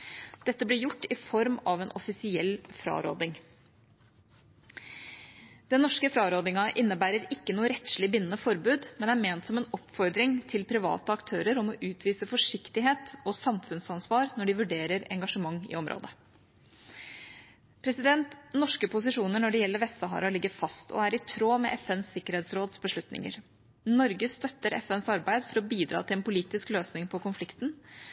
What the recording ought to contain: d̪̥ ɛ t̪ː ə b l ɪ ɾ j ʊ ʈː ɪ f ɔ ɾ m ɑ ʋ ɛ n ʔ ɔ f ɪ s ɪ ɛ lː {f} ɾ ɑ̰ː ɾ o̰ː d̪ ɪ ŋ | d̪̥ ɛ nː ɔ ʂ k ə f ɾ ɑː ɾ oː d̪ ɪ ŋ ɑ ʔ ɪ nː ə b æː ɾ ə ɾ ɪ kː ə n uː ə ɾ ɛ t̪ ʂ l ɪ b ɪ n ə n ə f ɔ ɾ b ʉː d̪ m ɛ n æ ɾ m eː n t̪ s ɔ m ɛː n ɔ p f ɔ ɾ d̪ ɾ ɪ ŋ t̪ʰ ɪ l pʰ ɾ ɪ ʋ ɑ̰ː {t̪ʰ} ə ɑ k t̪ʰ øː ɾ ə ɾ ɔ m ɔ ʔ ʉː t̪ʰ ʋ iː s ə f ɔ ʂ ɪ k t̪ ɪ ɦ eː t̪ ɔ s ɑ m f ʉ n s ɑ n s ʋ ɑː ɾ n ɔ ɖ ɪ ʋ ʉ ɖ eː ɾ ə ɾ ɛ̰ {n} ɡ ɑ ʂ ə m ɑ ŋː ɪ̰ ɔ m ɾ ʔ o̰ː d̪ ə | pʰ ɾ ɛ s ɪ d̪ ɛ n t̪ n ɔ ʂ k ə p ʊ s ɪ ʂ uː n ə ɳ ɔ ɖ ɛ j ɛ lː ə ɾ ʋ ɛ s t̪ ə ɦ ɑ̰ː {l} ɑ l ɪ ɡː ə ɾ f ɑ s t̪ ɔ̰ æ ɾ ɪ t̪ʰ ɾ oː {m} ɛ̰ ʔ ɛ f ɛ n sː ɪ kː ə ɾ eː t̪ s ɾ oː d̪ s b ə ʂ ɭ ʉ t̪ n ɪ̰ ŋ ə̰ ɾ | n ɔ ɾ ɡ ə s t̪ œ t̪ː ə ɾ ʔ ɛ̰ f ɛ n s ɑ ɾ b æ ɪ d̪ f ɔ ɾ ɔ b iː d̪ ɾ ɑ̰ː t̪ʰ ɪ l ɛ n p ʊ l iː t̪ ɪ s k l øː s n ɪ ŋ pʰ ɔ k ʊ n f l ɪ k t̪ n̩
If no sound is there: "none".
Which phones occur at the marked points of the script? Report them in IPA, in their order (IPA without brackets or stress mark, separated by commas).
f, t̪, ŋ, ɾ, m